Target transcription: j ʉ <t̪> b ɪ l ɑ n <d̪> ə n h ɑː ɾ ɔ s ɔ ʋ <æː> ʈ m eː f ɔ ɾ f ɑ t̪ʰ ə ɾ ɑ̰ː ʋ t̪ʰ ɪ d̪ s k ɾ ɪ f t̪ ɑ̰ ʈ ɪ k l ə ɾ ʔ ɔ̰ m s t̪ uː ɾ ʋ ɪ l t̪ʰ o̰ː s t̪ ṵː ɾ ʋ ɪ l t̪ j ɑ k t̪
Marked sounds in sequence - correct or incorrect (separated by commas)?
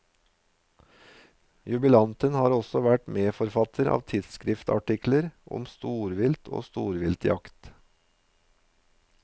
incorrect, incorrect, incorrect